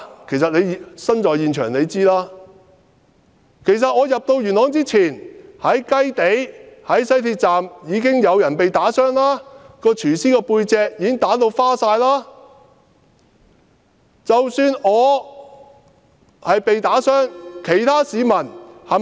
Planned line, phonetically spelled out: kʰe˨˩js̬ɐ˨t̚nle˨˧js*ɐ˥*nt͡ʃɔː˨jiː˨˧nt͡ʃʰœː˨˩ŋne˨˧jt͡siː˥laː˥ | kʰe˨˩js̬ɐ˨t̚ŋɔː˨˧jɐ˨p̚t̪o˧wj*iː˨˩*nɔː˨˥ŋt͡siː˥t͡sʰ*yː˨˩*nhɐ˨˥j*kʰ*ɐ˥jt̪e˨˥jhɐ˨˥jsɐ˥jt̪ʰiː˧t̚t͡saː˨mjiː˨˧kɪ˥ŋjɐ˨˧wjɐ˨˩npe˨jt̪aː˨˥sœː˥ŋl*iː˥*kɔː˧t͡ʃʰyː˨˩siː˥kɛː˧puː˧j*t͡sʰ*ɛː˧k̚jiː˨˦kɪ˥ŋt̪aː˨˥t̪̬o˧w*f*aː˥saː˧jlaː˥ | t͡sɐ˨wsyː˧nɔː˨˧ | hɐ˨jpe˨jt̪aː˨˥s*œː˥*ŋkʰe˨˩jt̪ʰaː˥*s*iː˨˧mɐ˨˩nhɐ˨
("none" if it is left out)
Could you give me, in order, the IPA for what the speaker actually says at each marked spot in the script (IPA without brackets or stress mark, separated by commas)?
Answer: ɐ˥, yː˨˩, iː˨˩, k, aː˥, t͡s, f, œː˥, s